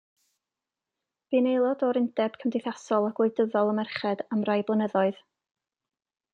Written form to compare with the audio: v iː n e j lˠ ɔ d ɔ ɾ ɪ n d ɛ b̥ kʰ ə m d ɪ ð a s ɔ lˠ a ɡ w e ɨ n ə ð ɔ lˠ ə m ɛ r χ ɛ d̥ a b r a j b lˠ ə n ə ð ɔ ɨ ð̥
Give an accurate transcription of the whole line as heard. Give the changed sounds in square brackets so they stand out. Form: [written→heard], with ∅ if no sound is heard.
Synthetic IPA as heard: v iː n e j lˠ ɔ d ɔ ɾ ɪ n d ɛ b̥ kʰ ə m d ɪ [ð→θ] a s ɔ lˠ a ɡ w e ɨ [n→d] ə ð ɔ lˠ ə m ɛ r χ ɛ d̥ a [b→m] r a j b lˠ ə n ə ð ɔ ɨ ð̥

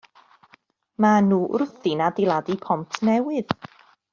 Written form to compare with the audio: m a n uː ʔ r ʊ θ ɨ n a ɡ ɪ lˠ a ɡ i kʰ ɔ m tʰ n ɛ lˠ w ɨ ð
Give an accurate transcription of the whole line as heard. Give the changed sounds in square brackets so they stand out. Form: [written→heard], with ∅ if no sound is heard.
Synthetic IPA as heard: m a n uː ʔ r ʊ θ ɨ n a [ɡ→d] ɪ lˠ a [ɡ→d] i [kʰ→pʰ] ɔ m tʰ n ɛ [lˠ→∅] w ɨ ð

